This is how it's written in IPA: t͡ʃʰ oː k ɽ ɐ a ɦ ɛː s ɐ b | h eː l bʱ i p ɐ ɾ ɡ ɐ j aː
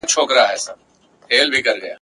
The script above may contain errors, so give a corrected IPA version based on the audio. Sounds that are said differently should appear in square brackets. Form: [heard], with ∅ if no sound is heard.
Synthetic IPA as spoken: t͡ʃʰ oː k [ɾ] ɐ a ɦ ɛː s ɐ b | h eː l bʱ i [k] ɐ ɾ ɡ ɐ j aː